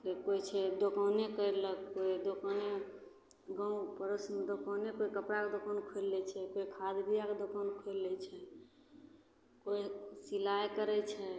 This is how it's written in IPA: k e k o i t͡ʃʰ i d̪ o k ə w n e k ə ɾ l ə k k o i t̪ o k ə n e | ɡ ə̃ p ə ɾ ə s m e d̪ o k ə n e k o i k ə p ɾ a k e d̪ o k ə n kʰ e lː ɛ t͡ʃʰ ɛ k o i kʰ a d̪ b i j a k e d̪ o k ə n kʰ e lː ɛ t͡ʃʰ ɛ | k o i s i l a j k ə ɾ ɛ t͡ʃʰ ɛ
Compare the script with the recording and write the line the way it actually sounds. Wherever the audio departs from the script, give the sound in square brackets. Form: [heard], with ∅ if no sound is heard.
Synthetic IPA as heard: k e k o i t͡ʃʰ [ɛ] d̪ o k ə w n e k ə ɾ l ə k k o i [d̪] o k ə n e | ɡ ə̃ p ə ɾ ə s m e d̪ o k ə n e k o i k ə p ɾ a k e d̪ o k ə n kʰ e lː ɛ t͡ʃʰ ɛ k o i kʰ a d̪ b i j a k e d̪ o k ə n kʰ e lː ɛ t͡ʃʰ ɛ | k o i s i l a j k ə ɾ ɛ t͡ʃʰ ɛ